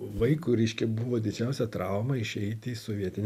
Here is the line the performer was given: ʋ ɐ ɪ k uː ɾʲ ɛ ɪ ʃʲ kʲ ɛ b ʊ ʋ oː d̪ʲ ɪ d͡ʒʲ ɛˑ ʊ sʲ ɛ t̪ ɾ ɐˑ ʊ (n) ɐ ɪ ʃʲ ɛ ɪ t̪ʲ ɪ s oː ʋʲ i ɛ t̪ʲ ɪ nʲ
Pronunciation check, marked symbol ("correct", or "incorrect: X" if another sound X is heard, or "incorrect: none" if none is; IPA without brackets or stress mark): incorrect: m